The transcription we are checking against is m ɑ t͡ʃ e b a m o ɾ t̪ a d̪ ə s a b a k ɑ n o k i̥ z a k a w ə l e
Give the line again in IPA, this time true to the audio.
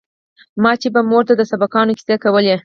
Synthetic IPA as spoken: m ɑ t͡ʃ e b a m o ɾ t̪ a d̪ ə s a b a k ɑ n o k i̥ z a k a w ə l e